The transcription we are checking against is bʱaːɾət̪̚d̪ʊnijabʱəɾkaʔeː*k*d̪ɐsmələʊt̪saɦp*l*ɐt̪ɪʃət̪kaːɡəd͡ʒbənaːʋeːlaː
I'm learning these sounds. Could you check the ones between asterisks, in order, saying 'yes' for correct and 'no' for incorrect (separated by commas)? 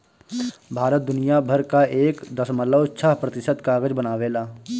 yes, no